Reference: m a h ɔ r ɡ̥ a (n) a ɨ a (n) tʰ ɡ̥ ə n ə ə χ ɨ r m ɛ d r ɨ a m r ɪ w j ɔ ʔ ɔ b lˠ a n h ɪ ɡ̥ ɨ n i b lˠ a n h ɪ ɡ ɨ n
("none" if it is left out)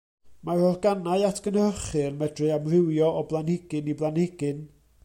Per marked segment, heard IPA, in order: n, none

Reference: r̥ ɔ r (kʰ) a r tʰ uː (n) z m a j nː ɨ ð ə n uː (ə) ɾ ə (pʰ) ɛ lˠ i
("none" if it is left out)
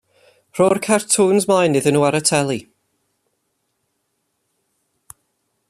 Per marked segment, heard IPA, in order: kʰ, n, a, tʰ

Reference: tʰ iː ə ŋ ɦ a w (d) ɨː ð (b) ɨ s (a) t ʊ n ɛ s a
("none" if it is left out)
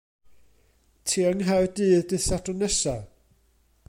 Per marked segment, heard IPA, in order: d, d, a

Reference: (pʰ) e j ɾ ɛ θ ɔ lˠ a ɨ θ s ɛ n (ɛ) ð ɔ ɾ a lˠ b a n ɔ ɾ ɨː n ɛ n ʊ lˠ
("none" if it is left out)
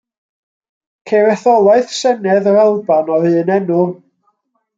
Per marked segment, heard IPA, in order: kʰ, ɛ

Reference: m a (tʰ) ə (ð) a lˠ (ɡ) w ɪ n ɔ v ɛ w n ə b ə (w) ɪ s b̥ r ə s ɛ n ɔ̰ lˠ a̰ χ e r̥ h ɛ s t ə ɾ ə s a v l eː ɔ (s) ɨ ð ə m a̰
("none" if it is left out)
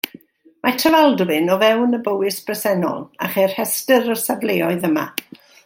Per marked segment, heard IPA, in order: tʰ, v, d, w, none

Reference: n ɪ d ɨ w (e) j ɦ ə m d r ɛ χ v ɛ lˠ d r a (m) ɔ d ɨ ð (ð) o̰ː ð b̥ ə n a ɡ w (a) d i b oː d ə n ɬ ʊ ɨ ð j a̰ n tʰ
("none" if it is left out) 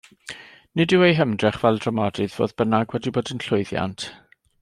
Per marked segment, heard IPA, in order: e, m, v, ɛ

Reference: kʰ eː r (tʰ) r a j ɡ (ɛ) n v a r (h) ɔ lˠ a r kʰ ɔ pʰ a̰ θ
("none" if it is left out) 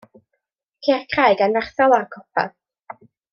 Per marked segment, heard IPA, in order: kʰ, a, θ

